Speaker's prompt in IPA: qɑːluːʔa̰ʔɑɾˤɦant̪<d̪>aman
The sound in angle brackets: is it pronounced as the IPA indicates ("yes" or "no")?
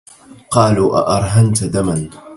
yes